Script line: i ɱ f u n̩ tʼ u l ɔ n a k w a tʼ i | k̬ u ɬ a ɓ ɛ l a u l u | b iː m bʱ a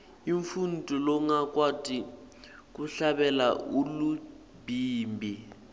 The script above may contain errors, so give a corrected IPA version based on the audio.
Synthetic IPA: i ɱ f u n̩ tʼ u l ɔ ŋ a k w a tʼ i | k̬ u ɬ a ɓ ɛ l a u l u | b iː m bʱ i